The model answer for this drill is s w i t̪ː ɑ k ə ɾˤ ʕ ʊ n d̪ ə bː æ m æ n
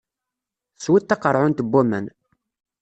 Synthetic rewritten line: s w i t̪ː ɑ q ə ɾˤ ʕ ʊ n t̪ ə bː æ m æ n

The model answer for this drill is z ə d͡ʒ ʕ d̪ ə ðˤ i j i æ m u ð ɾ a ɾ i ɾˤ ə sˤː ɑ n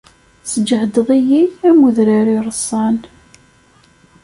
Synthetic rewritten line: s ə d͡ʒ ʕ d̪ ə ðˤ i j i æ m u ð ɾ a ɾ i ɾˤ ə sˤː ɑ n

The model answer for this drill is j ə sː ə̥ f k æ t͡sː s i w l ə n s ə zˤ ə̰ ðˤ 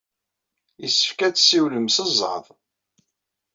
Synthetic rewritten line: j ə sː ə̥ f k æ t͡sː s i w l ə m s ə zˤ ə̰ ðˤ

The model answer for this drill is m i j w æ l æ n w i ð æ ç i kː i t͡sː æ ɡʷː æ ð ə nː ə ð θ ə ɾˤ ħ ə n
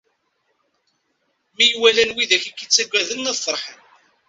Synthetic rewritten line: m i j w æ l æ n w i ð æ ç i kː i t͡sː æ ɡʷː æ ð ə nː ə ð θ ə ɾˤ ħ ə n

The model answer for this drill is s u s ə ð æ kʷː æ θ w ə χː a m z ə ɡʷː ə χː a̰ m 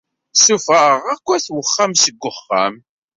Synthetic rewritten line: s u f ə ʁ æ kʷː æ θ w ə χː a m s ə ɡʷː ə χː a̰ m

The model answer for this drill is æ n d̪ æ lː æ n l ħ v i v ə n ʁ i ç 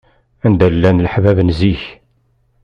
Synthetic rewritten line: æ n d̪ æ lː æ n l ħ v æ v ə n z i ç

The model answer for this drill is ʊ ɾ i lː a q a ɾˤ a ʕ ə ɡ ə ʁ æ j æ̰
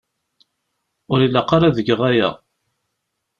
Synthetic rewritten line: ʊ ɾ i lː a q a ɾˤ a ð ə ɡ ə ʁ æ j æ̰

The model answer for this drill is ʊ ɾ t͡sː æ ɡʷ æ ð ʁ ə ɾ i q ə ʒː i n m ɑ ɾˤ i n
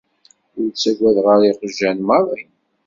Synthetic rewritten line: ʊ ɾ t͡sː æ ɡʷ æ ð ʁ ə ɾ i q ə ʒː æ n m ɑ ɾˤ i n

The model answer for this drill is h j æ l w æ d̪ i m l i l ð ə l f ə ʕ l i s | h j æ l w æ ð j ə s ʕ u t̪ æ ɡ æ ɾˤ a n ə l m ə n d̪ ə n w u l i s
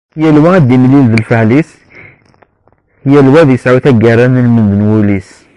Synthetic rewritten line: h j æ l w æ d̪ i m l i l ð ə l f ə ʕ l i s | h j æ l w æ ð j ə s ʕ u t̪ æ ɡ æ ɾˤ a n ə l m ə n d̪ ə n w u l i s

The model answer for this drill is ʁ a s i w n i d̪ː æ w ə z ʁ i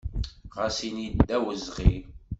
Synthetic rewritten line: ʁ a s i n i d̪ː æ w ə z ʁ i

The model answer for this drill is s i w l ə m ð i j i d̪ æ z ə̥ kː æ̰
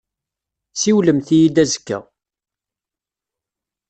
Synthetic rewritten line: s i w l ə m θ i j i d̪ æ z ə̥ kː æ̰

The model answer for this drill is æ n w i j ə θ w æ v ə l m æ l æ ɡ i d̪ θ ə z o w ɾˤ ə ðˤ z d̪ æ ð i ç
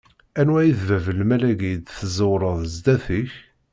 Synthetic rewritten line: æ n w æ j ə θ v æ v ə l m æ l æ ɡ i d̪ θ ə z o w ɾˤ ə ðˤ z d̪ æ θ i ç

